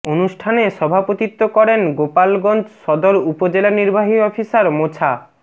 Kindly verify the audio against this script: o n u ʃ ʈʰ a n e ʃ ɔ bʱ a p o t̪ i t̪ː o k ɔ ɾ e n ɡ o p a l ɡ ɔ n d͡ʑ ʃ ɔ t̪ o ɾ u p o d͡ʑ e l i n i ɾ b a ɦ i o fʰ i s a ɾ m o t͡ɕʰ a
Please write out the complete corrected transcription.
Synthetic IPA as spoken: o n u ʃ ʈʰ a n e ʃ ɔ bʱ a p o t̪ i t̪ː o k ɔ ɾ e n ɡ o p a l ɡ ɔ n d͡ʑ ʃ ɔ d̪ o ɾ u p o d͡ʑ e l a n i ɾ b a ɦ i ɔ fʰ i s a ɾ m o t͡ɕʰ a